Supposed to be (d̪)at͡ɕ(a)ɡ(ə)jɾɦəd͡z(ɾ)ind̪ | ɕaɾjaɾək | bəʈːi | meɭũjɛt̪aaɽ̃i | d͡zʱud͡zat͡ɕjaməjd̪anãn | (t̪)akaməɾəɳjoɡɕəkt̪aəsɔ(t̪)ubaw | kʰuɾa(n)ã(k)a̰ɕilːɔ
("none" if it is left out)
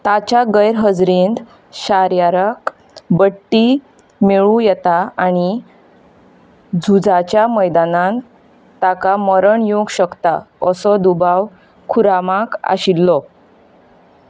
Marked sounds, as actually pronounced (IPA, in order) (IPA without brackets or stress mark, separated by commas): t̪, a, ə, ɾ, t̪, d̪, m, k